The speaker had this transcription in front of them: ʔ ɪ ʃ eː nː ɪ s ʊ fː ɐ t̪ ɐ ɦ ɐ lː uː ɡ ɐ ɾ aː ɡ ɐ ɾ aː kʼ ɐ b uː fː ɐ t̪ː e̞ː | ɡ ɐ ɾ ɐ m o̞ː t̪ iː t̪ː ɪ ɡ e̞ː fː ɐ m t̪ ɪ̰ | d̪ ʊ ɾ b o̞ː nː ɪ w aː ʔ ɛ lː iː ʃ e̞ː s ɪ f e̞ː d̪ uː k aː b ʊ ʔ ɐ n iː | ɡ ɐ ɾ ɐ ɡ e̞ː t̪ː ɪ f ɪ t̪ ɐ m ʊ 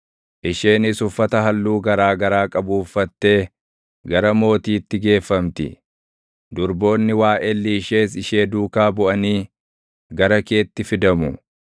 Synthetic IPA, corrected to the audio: ʔ ɪ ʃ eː n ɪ s ʊ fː ɐ t̪ ɐ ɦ ɐ lː uː ɡ ɐ ɾ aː ɡ ɐ ɾ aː kʼ ɐ b uː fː ɐ t̪ː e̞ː | ɡ ɐ ɾ ɐ m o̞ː t̪ iː t̪ː ɪ ɡ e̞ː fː ɐ m t̪ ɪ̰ | d̪ ʊ ɾ b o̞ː nː ɪ w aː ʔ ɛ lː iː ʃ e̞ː s ɪ ʃ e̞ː d̪ uː k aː b ʊ ʔ ɐ n iː | ɡ ɐ ɾ ɐ k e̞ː t̪ː ɪ f ɪ d̪ ɐ m ʊ